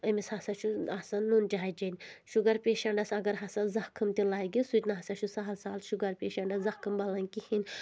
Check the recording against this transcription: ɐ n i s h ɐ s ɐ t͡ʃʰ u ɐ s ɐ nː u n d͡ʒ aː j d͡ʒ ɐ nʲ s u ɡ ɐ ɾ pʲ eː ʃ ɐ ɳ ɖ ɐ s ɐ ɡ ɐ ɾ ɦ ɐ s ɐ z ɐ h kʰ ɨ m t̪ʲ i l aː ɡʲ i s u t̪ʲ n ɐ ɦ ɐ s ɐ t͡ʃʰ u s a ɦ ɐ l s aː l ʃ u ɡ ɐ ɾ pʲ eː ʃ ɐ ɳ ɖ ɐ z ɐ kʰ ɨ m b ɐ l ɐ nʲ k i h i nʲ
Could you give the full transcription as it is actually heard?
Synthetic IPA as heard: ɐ m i s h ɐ s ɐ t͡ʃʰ u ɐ s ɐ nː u n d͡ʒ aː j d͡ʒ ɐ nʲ ʃ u ɡ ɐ ɾ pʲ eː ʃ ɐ ɳ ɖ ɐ s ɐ ɡ ɐ ɾ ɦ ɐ s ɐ z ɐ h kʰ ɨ m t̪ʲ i l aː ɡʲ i s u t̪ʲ n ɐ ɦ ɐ s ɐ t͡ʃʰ u s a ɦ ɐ l s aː l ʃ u ɡ ɐ ɾ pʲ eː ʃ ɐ ɳ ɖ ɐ z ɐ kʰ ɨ m b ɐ l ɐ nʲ k i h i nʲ